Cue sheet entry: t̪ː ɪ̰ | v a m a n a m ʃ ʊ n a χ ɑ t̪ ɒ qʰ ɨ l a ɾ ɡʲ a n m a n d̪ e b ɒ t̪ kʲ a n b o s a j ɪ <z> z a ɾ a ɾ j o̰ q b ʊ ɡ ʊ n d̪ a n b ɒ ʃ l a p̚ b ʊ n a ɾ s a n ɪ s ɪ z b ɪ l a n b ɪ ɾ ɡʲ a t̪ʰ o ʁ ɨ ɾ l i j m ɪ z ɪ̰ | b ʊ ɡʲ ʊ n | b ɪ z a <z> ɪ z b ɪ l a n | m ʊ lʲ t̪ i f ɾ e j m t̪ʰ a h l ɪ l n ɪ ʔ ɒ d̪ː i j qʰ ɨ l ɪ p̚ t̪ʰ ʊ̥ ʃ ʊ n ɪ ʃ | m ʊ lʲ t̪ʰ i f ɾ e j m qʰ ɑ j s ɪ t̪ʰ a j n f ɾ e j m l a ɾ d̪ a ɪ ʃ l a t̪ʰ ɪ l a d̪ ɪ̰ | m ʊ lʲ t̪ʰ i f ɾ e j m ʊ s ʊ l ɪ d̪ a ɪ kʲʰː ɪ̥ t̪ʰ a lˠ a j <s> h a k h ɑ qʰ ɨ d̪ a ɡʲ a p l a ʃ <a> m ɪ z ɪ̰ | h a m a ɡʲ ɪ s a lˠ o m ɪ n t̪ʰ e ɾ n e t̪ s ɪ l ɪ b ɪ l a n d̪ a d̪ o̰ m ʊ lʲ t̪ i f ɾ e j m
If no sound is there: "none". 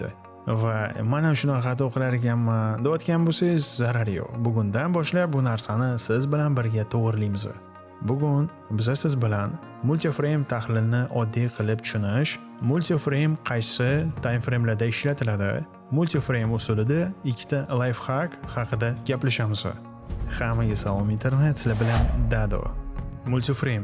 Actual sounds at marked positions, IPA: z, s, f, a

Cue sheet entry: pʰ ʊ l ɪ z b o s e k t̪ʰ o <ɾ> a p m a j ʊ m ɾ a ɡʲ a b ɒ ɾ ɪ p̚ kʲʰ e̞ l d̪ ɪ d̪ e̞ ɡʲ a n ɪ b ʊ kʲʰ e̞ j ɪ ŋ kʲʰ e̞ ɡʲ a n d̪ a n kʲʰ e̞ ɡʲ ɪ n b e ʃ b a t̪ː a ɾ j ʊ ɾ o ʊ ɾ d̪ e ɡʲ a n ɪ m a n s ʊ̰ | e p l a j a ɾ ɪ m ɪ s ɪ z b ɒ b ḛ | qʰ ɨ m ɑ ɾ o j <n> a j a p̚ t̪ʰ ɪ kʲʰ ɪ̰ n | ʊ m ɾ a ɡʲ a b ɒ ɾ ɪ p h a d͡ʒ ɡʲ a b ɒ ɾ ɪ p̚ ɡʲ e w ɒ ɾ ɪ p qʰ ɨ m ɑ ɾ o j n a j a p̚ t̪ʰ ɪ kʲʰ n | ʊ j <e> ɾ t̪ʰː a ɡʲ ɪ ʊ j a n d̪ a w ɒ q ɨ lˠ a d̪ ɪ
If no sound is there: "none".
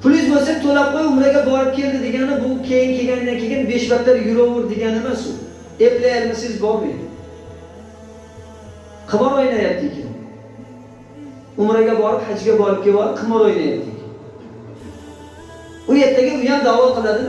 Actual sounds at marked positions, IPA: l, n, e

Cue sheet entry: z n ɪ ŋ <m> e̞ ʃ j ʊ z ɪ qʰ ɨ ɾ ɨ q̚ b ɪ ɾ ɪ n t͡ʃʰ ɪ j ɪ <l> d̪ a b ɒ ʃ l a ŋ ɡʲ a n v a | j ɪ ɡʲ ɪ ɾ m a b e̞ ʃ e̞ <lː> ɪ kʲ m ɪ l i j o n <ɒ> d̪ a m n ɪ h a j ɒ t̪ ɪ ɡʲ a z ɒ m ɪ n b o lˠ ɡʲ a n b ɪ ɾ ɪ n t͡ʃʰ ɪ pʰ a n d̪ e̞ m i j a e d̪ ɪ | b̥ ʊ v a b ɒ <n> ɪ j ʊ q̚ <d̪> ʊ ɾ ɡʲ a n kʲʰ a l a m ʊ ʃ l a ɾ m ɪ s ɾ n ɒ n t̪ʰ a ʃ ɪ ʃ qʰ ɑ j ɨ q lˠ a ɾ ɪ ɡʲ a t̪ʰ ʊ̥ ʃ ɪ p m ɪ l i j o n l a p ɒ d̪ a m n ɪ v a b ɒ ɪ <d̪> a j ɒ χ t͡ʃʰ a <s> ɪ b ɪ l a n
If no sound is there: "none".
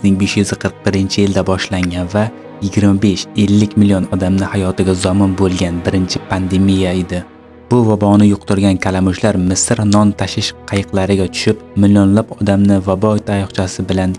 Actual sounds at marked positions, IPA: b, l, lː, ɒ, n, t̪, t̪, s

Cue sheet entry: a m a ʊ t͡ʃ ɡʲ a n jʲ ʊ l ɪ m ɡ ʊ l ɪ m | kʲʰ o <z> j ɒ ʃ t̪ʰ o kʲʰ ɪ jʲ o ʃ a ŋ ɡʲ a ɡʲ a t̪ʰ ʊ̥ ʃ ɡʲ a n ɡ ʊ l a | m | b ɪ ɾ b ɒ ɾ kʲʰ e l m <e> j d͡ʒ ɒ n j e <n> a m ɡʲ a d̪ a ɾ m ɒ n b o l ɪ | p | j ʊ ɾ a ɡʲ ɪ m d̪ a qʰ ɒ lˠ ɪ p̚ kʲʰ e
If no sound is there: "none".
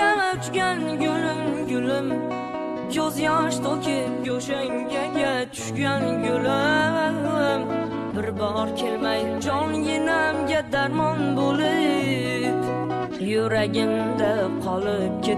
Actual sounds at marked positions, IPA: z, a, n

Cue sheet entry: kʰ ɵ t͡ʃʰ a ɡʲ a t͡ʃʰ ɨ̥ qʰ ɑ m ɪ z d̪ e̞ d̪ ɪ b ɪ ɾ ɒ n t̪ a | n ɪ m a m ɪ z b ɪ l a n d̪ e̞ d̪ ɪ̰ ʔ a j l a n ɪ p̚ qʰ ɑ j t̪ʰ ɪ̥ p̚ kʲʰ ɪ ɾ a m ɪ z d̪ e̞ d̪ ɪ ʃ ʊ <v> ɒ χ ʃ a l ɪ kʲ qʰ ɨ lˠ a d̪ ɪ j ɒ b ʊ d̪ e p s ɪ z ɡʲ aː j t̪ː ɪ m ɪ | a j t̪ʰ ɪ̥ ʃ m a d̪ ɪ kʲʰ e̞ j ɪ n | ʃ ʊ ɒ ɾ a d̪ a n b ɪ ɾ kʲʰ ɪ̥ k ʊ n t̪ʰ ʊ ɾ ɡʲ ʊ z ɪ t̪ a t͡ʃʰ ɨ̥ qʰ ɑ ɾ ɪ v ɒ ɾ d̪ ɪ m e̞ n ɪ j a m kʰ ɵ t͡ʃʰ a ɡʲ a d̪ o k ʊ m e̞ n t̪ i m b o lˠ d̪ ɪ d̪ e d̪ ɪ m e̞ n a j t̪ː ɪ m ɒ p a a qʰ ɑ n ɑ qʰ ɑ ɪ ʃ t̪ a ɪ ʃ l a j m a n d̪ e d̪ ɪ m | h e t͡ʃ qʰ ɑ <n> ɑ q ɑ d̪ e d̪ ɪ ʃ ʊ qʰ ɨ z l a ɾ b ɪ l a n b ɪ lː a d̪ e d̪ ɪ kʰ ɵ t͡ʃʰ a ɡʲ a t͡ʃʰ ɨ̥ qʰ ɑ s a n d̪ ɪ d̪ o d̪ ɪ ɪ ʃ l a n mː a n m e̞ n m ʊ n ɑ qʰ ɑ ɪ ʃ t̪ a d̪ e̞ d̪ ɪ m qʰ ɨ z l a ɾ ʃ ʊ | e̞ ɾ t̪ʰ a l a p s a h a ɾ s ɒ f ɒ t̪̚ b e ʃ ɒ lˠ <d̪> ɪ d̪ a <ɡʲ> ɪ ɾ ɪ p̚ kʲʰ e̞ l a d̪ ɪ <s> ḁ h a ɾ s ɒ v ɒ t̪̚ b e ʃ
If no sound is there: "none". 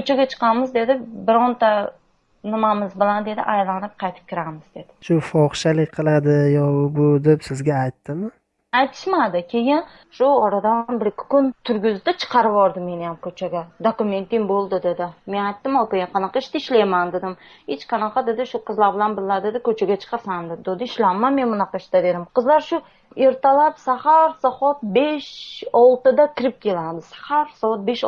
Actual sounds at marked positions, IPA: f, n, t̪, kʲ, s

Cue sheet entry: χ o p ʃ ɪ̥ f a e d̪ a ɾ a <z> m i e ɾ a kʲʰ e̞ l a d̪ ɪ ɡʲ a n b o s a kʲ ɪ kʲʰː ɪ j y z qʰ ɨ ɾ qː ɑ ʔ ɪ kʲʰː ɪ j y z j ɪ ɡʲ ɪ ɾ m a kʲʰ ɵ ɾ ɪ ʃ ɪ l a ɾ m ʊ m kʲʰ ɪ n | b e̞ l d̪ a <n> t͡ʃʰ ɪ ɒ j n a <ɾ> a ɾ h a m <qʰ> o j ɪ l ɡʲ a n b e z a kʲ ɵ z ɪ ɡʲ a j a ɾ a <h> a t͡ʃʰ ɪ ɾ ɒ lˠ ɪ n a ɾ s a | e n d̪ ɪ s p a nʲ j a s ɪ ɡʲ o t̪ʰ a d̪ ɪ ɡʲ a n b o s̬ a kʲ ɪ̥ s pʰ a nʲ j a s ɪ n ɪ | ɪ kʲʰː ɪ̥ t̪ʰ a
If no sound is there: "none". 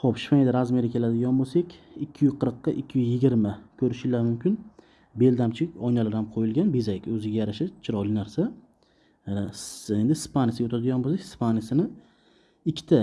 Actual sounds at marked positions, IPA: z, m, l, qʰ, ʃ

